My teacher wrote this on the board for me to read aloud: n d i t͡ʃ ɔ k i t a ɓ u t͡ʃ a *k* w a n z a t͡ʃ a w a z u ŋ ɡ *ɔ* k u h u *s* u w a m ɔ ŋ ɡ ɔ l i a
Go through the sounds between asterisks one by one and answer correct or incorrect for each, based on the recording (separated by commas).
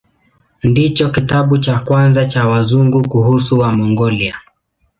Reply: correct, incorrect, correct